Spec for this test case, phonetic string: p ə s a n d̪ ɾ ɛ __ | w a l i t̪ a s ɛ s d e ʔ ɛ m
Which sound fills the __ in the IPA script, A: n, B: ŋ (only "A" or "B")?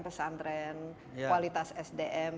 A